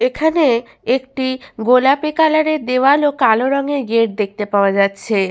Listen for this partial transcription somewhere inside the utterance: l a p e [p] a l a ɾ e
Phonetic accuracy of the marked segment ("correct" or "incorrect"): incorrect